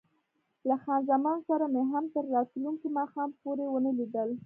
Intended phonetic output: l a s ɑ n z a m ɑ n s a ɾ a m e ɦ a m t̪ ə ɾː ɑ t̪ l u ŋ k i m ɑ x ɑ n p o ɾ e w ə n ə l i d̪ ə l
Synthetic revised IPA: l a x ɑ n z a m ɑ n s a ɾ a m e ɦ a m t̪ ə ɾː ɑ t̪ l u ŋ k i m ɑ x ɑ m p o ɾ e w ə n ə l i d̪ ə l